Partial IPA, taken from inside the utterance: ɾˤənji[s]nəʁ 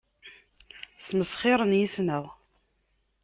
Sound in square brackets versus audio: correct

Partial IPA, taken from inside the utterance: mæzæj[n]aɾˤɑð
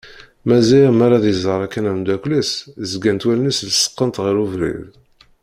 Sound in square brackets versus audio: incorrect: m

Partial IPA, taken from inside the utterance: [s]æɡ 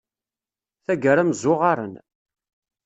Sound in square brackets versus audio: incorrect: θ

